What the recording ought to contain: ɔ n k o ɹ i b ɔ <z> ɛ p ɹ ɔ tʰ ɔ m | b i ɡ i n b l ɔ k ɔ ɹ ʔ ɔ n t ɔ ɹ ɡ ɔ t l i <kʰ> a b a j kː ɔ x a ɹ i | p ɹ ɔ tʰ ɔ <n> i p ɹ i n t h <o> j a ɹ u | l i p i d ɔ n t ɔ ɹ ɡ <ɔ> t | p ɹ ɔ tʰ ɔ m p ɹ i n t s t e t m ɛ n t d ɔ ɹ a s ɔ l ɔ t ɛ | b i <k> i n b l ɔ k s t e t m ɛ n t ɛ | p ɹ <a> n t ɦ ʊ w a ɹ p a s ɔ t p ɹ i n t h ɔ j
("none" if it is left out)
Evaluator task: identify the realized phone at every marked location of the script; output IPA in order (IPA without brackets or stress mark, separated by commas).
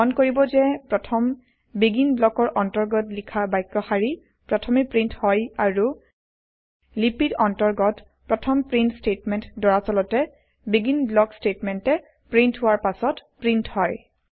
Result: z, kʰ, m, ɔ, ɔ, ɡ, i